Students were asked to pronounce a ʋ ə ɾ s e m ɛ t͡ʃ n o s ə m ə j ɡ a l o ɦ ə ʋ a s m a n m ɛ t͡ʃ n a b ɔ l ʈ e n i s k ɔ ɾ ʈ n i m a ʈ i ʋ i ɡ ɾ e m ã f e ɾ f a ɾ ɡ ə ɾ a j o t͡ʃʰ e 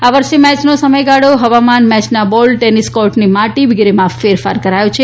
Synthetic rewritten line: a ʋ ə ɾ ʃ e m ɛ t͡ʃ n o s ə m ə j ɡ a ɽ o ɦ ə ʋ a m a n m ɛ t͡ʃ n a b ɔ l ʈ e n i s k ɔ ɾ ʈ n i m a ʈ i ʋ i ɡ ɾ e m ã f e ɾ f a ɾ k ə ɾ a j o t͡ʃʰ e